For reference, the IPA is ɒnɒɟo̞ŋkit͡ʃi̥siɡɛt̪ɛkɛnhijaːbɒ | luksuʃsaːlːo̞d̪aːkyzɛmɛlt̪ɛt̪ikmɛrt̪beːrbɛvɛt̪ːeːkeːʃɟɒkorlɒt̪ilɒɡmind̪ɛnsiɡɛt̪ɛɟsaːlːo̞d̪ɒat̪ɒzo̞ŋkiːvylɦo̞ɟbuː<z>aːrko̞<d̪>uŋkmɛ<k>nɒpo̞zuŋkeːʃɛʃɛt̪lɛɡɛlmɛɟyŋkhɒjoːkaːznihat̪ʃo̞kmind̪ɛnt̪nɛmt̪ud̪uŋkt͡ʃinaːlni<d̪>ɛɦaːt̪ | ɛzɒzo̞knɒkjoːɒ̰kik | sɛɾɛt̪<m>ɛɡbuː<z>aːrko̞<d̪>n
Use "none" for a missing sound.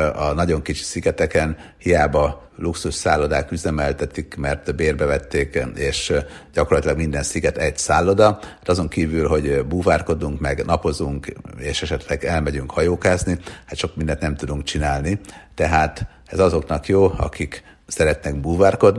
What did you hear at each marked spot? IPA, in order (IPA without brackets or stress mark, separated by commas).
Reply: v, d̪, ɡ, t̪, n, v, d̪